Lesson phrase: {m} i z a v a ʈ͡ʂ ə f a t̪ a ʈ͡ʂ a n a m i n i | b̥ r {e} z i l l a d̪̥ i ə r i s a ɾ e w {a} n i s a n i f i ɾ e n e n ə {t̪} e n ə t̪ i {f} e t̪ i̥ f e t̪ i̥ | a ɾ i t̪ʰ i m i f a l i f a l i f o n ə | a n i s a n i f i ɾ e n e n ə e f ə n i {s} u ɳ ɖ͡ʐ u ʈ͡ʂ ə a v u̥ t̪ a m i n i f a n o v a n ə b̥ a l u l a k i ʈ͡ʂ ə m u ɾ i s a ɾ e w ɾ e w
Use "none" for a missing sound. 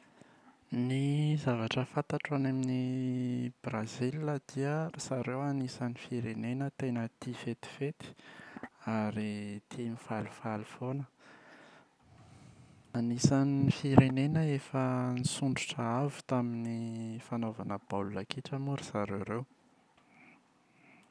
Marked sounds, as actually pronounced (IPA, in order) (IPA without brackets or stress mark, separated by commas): n, a, a, t̪, f, s